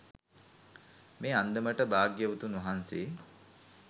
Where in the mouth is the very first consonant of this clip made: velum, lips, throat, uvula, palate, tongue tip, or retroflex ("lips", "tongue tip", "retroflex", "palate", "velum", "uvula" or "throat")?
lips